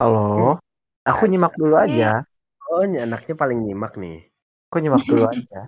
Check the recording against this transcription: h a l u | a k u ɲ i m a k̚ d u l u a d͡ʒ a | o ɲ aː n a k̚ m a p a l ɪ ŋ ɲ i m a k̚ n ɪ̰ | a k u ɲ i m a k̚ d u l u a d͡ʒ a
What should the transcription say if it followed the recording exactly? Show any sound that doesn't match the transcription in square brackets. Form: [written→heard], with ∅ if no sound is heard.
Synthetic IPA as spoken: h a l [u→o] | a k u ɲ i m a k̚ d u l u a d͡ʒ a | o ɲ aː n a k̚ [m→ɲ] a p a l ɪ ŋ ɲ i m a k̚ n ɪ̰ | a k u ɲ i m a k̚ d u l u a d͡ʒ a